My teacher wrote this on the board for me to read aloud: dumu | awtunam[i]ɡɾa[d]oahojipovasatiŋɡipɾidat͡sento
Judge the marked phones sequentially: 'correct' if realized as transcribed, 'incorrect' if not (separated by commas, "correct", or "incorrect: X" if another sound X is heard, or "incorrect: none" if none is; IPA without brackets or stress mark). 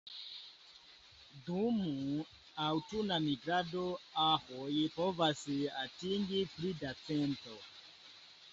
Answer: correct, correct